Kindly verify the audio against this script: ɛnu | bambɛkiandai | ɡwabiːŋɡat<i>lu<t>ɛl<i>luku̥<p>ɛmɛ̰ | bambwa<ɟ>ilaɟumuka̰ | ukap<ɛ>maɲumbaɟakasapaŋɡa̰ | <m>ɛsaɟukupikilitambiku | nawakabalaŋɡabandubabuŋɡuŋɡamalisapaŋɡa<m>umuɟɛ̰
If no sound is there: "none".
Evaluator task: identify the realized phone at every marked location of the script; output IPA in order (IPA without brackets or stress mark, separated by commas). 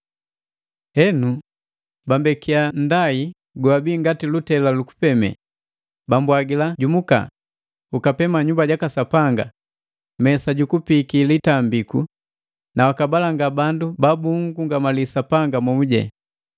i, t, a, p, ɡ, ɛ, m, m